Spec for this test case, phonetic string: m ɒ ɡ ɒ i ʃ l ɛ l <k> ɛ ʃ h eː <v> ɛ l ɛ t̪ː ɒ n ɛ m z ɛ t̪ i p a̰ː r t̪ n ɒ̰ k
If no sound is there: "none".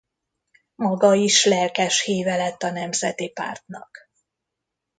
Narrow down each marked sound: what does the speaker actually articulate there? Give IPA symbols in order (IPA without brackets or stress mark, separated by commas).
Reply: k, v